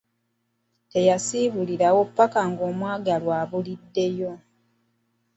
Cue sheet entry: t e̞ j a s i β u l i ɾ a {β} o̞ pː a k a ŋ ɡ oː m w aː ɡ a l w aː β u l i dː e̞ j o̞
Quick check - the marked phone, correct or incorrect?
incorrect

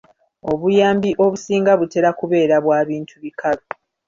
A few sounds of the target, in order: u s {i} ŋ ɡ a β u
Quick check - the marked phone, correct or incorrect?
incorrect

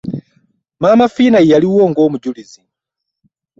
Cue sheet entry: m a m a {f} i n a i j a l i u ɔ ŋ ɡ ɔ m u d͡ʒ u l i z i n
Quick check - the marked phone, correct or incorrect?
correct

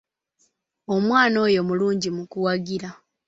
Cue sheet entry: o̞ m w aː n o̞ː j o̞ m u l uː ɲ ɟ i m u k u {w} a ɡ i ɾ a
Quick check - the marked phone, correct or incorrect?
correct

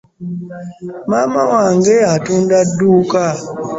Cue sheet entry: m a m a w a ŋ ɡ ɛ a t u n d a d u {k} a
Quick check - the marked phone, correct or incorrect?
correct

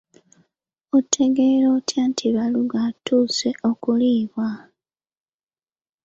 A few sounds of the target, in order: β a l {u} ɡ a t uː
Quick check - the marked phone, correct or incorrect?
correct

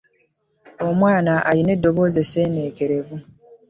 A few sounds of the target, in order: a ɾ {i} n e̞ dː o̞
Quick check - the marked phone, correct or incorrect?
correct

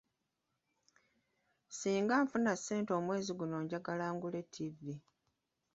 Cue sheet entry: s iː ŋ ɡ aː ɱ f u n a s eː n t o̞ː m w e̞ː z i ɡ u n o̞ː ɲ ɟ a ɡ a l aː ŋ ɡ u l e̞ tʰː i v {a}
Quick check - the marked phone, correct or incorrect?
incorrect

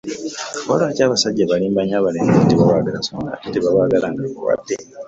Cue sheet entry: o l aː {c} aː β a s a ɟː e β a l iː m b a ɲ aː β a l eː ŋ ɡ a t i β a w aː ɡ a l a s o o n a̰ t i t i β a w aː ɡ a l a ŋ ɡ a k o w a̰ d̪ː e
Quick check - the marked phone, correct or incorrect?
correct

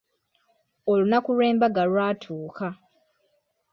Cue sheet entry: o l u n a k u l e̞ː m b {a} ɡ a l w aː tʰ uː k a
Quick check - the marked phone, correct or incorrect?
correct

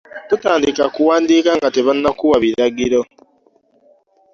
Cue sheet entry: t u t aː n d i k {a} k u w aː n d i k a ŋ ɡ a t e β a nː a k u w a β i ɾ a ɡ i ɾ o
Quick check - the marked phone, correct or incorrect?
correct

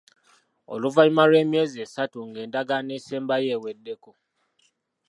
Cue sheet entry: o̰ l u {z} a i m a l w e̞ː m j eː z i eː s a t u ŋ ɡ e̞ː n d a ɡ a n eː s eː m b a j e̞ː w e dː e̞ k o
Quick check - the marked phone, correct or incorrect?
incorrect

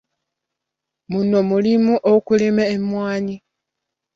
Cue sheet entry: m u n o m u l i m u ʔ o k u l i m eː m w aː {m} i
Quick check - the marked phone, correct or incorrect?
incorrect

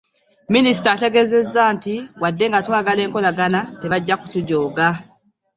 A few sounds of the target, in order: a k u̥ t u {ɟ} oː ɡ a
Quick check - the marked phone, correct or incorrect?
correct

